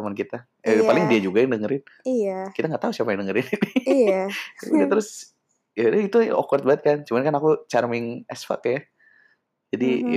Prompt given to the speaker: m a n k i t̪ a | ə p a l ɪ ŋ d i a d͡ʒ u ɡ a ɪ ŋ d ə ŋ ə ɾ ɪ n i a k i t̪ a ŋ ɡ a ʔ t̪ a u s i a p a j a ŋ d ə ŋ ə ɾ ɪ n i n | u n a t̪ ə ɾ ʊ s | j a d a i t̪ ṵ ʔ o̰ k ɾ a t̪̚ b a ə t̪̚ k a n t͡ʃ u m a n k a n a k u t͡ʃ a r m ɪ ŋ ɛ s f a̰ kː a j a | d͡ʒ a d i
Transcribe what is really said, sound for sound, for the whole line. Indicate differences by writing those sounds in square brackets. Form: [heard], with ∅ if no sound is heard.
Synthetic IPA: m a n k i t̪ a | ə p a l ɪ ŋ d i a d͡ʒ u ɡ a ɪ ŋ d ə ŋ ə ɾ ɪ n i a k i t̪ a ŋ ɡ a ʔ t̪ a u s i a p a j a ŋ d ə ŋ ə ɾ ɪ n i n | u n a t̪ ə ɾ ʊ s | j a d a i t̪ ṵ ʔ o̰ k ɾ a t̪̚ b a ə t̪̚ k a n t͡ʃ u m a n k a n a k u t͡ʃ a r m ɪ ŋ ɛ s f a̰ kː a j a | d͡ʒ a d i